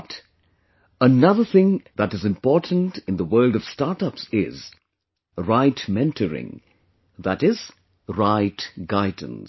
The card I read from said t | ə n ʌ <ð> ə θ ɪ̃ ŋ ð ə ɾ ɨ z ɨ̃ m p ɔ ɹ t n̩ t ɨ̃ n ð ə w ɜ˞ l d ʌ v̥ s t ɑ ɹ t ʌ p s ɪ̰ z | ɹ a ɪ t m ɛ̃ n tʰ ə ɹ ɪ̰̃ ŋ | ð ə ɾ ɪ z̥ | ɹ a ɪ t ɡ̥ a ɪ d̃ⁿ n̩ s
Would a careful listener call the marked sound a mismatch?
no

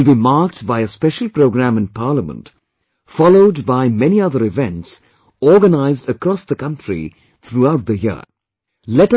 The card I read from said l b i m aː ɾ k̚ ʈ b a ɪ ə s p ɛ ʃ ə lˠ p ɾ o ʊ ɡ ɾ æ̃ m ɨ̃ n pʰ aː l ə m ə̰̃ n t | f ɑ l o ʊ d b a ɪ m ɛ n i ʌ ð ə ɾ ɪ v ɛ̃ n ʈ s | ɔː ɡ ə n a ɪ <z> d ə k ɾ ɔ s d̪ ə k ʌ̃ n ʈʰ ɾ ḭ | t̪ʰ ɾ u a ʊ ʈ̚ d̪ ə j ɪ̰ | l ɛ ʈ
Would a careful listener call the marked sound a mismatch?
no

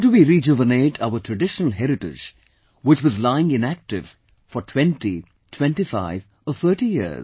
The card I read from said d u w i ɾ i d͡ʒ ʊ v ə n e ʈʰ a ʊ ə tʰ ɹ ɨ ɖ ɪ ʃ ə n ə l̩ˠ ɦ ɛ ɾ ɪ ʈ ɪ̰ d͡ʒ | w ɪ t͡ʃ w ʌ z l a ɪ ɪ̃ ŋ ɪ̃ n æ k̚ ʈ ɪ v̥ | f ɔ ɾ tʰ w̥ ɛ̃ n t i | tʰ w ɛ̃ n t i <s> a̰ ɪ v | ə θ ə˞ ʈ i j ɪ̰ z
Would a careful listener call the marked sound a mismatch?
yes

